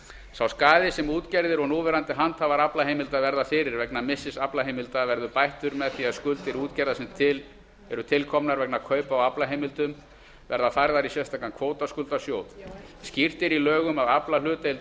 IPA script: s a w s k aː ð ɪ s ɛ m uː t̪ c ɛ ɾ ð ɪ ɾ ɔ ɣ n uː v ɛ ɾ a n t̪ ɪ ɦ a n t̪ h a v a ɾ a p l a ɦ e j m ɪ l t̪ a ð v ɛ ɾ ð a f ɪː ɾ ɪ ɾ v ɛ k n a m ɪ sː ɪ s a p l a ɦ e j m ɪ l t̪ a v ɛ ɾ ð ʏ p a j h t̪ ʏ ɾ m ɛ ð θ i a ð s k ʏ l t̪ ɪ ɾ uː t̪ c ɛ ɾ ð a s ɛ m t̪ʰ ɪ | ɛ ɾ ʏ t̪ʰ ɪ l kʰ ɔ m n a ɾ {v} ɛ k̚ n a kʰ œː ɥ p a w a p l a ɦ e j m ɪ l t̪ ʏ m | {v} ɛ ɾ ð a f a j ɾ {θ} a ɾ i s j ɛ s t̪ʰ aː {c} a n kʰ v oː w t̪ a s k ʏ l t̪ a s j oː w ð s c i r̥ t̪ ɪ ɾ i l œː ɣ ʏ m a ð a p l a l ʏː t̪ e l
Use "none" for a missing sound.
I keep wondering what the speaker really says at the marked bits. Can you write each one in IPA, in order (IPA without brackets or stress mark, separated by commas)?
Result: v, v, ð, k